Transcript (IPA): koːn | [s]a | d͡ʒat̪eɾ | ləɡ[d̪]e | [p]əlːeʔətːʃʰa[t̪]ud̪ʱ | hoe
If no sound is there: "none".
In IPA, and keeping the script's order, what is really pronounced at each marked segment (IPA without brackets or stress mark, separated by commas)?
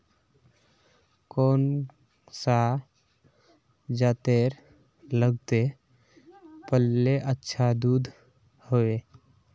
s, t̪, p, d̪